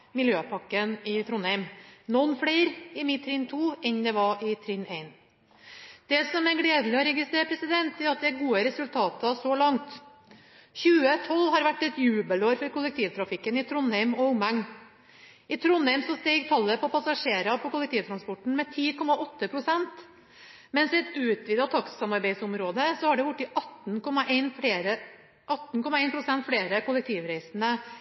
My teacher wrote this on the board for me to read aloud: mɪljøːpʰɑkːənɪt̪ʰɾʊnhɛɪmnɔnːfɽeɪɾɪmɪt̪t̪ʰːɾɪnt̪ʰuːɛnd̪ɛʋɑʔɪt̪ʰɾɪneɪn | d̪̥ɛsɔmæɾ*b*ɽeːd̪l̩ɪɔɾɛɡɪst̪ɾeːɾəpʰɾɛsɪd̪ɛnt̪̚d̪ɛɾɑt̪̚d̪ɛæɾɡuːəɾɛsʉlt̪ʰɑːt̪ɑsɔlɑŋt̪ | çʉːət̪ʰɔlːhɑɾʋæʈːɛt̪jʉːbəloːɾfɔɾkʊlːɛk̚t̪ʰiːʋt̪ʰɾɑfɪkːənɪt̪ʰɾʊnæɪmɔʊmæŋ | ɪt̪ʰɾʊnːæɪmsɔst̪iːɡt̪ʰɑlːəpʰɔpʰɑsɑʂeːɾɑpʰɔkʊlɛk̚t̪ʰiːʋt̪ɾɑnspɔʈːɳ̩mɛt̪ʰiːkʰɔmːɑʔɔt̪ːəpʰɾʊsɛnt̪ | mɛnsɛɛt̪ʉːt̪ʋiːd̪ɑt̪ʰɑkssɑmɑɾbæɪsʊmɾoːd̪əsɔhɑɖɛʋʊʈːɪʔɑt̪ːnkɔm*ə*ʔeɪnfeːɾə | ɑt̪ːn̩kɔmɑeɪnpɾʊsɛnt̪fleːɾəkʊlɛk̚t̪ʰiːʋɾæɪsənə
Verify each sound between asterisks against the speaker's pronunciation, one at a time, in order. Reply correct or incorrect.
incorrect: ɡ, incorrect: ɑ

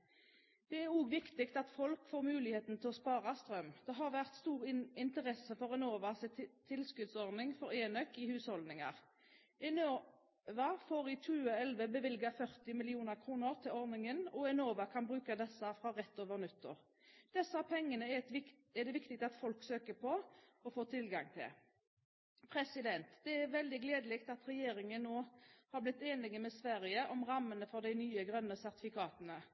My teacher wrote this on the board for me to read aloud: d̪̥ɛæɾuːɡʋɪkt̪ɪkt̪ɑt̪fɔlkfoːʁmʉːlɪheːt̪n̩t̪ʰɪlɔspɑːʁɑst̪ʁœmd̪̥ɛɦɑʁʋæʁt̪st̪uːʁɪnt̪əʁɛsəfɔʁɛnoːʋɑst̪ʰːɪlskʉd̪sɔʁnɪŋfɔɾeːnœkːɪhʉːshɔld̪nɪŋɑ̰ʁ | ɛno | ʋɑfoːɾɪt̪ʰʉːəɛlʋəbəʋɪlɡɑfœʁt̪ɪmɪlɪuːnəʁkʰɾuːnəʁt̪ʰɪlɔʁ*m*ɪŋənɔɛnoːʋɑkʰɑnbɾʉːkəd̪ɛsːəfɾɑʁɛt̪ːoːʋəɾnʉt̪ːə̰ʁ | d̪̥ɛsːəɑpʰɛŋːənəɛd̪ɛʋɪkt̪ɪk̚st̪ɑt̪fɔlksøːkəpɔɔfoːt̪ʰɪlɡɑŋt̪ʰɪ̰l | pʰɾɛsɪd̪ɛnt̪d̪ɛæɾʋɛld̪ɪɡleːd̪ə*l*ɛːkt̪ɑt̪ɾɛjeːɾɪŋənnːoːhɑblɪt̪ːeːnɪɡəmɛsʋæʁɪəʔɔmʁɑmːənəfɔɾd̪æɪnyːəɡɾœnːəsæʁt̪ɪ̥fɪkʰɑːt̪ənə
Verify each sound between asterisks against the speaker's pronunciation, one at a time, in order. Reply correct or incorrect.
incorrect: n, correct

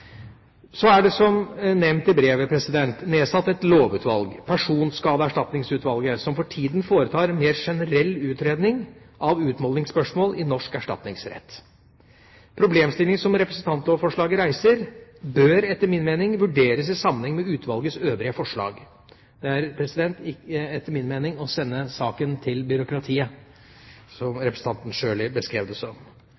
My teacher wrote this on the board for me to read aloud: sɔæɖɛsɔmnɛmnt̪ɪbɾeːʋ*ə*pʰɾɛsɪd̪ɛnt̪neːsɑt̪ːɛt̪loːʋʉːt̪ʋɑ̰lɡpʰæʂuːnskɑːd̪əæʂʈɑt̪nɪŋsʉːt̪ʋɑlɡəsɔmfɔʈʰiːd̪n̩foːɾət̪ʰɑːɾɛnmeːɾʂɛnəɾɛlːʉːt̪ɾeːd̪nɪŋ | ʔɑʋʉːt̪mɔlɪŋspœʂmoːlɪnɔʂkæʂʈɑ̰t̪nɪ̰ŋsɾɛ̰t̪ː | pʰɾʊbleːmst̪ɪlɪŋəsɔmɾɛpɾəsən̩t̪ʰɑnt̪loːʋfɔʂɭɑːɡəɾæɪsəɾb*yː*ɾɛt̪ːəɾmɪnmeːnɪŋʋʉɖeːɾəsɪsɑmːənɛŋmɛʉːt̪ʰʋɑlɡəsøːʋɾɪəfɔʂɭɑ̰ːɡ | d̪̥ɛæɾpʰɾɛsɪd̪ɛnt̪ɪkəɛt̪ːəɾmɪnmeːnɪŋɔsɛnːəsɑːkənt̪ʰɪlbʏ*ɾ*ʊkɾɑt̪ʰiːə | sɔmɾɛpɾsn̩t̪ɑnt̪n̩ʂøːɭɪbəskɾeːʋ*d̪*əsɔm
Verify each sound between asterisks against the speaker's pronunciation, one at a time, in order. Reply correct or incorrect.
correct, incorrect: øː, correct, correct

